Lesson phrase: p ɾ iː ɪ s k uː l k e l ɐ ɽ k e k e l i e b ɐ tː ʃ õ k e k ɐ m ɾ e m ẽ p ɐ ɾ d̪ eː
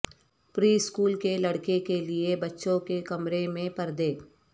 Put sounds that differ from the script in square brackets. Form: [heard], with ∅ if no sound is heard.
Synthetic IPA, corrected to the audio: p ɾ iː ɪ s k uː l k e l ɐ ɽ k e k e l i e b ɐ tː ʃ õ k e k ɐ m ɾ e m ẽ p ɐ ɾ d̪ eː